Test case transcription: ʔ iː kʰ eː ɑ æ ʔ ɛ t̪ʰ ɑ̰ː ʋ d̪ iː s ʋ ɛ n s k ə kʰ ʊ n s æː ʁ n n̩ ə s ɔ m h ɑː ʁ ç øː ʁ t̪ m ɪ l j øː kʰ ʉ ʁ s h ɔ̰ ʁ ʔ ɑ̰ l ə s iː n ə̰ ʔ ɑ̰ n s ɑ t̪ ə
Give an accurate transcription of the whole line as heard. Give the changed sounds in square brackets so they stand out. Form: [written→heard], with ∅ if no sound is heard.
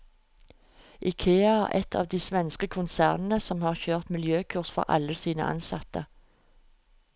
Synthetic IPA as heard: ʔ iː kʰ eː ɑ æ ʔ ɛ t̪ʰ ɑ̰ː ʋ d̪ iː s ʋ ɛ n s k ə kʰ ʊ n s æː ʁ n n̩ ə s ɔ m h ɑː ʁ ç øː ʁ t̪ m ɪ l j øː kʰ ʉ ʁ s [h→f] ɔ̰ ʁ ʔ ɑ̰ l ə s iː n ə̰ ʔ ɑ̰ n s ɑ t̪ ə